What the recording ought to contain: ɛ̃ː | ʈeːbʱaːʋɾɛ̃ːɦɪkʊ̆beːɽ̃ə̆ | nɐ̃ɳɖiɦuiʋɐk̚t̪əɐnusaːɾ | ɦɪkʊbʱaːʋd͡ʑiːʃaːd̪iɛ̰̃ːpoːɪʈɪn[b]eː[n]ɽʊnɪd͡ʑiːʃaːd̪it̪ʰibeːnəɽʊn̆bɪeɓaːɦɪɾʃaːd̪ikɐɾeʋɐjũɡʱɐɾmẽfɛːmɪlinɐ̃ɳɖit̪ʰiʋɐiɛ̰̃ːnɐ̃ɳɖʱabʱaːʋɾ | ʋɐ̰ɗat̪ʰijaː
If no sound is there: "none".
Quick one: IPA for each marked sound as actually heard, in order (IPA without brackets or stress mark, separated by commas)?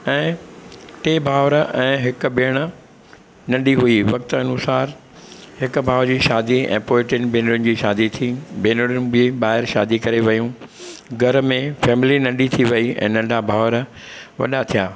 b, n